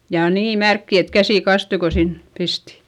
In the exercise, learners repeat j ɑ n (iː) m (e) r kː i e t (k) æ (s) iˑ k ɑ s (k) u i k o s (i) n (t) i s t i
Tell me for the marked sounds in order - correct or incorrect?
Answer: correct, incorrect: æ, correct, correct, incorrect: t, correct, incorrect: p

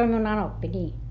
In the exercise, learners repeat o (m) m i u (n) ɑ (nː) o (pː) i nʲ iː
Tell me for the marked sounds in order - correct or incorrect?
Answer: correct, correct, incorrect: n, correct

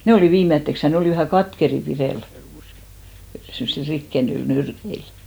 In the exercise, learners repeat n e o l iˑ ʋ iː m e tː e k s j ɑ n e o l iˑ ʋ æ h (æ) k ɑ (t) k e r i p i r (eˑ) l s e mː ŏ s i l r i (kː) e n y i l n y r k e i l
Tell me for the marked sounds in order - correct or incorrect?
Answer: correct, correct, correct, correct

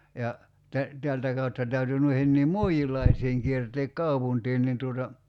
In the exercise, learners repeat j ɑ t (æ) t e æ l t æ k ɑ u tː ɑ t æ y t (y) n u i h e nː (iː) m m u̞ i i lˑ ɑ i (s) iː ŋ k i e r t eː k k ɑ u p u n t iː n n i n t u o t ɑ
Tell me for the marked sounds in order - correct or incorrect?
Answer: correct, correct, correct, correct

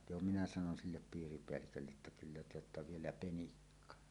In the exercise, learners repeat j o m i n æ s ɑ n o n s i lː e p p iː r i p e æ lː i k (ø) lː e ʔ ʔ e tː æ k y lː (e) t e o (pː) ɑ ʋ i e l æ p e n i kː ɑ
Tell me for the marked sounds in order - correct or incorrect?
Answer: correct, incorrect: æ, incorrect: tː

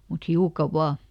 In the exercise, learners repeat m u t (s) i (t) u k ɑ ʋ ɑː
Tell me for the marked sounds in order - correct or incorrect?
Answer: incorrect: h, incorrect: none

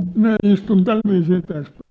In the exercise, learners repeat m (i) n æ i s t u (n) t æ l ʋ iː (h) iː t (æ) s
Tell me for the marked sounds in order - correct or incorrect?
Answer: correct, correct, incorrect: s, correct

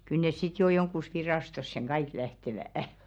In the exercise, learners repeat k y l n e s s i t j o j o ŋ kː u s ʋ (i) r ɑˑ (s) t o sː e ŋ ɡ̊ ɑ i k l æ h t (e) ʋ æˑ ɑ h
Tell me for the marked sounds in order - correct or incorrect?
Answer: correct, correct, correct

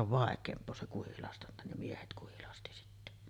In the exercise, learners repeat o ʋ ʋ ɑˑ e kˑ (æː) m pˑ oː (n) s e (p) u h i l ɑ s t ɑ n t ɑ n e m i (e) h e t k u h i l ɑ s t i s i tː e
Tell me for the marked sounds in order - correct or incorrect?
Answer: incorrect: eː, incorrect: none, incorrect: k, correct

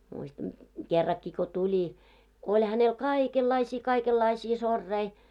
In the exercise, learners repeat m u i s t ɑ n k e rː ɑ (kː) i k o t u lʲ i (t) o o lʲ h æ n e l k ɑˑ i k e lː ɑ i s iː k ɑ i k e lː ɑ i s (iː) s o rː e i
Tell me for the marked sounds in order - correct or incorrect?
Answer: correct, incorrect: k, correct

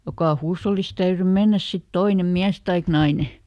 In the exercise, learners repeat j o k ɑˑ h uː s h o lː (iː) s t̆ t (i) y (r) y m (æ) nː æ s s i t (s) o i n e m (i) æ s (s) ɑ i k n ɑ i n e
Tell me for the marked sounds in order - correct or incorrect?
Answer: incorrect: i, incorrect: æ, correct, incorrect: e, incorrect: t, correct, incorrect: t

